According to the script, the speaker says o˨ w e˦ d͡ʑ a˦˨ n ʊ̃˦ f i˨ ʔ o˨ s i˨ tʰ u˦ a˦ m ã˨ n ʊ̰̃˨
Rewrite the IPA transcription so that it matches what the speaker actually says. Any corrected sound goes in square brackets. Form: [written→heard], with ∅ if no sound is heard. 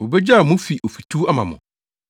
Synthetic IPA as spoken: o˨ [w→b] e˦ d͡ʑ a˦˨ [n→m] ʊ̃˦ f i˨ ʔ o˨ [s→f] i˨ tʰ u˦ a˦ m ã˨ [n→m] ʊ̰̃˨

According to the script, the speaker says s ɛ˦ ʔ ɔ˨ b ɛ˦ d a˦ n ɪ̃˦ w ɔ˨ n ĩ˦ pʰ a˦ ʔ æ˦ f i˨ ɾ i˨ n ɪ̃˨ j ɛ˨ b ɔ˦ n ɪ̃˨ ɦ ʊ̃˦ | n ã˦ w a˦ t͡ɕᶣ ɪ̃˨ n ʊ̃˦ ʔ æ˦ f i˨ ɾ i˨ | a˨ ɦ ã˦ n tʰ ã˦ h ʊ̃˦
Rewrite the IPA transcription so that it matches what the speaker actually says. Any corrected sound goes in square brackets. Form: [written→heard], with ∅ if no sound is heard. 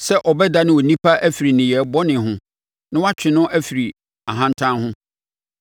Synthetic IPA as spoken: s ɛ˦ ʔ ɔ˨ b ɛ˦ d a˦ n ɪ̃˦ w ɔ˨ n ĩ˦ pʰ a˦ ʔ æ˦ f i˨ ɾ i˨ n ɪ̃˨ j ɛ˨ b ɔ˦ n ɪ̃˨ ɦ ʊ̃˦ | n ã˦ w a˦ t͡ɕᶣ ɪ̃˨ n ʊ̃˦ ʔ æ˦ f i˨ ɾ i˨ | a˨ ɦ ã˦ n tʰ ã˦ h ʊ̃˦

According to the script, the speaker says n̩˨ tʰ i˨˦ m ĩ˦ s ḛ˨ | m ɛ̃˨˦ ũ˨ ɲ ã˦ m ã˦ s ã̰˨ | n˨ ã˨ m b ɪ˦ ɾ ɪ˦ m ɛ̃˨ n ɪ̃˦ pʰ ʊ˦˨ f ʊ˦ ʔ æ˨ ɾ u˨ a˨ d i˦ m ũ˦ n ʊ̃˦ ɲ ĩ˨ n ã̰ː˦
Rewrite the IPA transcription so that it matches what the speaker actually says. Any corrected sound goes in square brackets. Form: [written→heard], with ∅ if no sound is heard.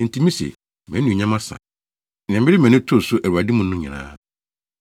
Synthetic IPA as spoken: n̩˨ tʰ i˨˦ m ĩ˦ s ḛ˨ | m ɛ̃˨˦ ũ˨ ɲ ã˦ m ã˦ s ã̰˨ | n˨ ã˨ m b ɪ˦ ɾ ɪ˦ m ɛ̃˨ n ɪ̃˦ [pʰ→tʰ] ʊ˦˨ [f→s] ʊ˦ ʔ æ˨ ɾ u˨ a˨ d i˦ m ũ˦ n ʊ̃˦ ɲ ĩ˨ n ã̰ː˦

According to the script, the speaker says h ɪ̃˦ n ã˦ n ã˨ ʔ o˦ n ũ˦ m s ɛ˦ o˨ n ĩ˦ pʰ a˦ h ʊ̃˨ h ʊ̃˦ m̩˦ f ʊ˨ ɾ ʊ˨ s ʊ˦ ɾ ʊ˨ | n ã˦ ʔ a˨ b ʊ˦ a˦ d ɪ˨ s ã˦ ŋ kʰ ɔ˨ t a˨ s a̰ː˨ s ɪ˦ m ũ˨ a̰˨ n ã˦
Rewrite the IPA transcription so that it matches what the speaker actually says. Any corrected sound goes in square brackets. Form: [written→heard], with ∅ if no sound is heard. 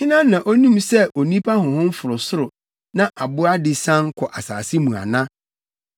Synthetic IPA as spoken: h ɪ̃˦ n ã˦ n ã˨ ʔ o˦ n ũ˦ m s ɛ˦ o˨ n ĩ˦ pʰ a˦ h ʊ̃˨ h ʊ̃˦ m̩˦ f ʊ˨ ɾ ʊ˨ s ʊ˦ ɾ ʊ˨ | n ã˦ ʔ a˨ b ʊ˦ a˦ d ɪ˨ s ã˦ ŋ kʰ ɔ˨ [t→ʔ] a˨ s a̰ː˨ s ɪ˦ m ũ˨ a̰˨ n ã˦

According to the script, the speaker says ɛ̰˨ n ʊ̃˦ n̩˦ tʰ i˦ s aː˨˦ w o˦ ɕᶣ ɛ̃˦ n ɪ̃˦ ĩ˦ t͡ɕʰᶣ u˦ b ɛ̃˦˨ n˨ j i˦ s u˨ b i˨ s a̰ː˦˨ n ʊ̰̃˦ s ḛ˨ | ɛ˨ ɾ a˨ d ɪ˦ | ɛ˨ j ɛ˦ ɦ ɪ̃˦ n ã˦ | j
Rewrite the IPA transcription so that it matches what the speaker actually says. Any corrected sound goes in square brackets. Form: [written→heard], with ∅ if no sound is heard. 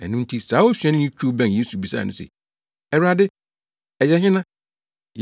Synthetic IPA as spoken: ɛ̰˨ n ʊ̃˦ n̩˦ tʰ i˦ s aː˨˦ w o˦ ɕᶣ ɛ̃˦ n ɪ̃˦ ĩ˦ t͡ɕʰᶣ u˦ b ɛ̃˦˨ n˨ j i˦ s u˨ b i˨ s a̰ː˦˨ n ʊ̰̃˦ s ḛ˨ | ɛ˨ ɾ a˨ d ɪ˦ | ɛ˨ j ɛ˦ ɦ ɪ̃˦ n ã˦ | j

